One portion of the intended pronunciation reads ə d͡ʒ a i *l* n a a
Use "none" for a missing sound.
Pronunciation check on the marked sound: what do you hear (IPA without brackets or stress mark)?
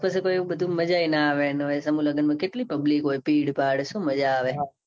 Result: none